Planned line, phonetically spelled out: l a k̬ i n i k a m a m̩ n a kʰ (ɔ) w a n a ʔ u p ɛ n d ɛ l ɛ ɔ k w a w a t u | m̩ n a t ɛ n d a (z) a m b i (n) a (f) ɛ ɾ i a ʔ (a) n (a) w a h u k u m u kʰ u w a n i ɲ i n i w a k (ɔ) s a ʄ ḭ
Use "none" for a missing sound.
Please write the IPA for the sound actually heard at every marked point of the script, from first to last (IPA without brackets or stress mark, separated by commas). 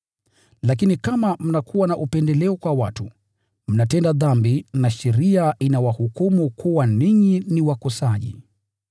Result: u, ð, n, ʃ, i, a, ɔ